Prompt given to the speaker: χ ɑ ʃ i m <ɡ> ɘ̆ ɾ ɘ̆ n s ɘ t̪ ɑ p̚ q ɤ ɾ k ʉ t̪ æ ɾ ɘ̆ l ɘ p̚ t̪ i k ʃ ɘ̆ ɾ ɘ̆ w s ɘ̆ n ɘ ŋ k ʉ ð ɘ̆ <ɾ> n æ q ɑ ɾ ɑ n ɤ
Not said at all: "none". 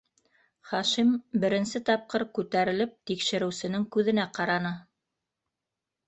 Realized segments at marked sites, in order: b, none

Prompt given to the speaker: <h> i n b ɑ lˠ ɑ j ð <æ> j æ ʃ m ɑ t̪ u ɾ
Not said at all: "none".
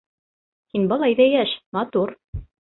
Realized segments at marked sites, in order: h, æ

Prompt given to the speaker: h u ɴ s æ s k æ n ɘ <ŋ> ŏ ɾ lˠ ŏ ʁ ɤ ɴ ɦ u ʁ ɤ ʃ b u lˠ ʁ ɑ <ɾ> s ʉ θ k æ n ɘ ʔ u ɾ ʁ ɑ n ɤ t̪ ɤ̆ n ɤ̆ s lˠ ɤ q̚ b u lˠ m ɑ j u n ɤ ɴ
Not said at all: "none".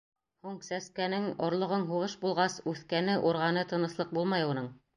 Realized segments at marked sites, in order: ŋ, none

